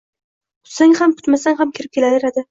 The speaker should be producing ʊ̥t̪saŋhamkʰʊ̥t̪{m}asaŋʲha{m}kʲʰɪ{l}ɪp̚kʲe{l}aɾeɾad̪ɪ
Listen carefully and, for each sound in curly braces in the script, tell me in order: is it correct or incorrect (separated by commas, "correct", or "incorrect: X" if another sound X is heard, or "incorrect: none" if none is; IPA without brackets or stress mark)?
correct, correct, incorrect: ɾ, correct